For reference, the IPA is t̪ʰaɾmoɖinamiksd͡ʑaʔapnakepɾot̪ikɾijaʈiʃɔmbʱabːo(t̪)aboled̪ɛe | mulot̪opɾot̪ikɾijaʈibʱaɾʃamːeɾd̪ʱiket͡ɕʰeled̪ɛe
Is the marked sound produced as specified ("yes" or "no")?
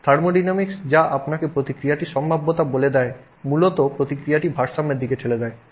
yes